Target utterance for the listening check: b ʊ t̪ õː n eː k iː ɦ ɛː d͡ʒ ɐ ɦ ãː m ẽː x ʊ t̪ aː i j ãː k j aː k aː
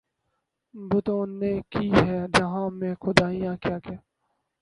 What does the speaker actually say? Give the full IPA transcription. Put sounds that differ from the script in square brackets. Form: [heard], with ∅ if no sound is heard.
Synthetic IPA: b ʊ t̪ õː n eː k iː ɦ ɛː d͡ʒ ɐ ɦ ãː m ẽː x ʊ [d̪] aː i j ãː k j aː k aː